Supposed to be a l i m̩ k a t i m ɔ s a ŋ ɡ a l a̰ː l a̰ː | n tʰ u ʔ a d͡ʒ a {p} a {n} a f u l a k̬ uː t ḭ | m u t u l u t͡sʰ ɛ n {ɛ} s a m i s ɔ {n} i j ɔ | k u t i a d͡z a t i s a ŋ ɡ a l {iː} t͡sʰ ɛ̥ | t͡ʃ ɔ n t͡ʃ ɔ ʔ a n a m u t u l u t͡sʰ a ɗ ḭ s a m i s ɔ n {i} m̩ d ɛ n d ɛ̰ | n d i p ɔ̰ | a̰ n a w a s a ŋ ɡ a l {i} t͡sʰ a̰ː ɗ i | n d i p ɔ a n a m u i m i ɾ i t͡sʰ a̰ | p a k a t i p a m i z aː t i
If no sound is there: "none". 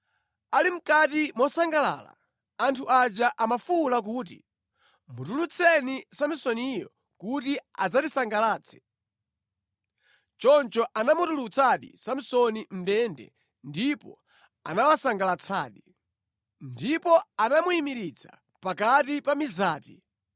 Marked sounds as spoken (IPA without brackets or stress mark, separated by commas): ʔ, m, i, n, aː, i, a